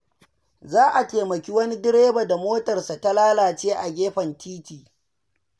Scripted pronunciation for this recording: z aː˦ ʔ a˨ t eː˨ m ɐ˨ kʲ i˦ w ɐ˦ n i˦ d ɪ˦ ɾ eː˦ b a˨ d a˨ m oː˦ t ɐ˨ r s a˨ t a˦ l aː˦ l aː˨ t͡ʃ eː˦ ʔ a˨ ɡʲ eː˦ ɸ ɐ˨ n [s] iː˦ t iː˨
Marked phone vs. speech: incorrect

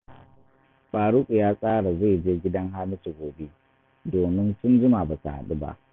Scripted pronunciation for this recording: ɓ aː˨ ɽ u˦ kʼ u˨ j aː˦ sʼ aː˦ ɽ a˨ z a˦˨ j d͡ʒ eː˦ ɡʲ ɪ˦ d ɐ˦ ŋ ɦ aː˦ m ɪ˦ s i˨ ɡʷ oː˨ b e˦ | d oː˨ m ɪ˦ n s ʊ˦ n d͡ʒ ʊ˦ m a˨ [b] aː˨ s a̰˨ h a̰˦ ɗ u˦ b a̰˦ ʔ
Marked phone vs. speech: correct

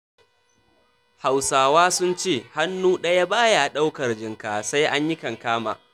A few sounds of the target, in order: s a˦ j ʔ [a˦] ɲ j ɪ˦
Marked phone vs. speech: correct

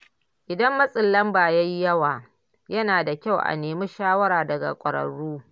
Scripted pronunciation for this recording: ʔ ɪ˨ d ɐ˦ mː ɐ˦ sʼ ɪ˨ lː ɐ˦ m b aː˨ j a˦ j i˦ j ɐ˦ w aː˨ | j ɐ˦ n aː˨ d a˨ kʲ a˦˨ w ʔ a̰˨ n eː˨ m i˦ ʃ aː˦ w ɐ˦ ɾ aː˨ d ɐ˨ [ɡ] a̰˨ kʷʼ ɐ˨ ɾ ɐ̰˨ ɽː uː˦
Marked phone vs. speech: correct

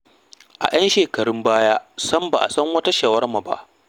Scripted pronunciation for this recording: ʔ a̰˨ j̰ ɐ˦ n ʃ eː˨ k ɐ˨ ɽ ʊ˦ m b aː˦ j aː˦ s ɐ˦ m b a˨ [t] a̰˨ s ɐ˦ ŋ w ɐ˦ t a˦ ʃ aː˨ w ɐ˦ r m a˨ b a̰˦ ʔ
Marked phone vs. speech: incorrect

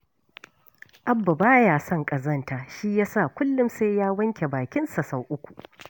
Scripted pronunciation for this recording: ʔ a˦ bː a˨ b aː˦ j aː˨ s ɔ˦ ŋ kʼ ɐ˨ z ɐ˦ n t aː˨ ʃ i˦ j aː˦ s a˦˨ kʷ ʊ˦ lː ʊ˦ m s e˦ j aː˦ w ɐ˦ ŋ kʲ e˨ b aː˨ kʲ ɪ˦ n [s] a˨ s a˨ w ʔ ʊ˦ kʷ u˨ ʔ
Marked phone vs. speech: correct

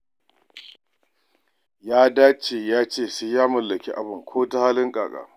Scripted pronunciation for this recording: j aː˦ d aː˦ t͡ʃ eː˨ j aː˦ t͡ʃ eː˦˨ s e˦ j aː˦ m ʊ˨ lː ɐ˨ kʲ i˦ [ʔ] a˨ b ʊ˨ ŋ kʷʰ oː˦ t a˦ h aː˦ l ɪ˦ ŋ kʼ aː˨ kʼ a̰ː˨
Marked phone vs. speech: correct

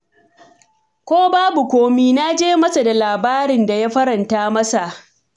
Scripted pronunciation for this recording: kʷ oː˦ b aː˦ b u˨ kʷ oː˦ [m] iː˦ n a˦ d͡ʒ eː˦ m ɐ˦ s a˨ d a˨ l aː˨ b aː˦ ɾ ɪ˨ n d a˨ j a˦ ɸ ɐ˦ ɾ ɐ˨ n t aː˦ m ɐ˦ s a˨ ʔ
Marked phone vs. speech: correct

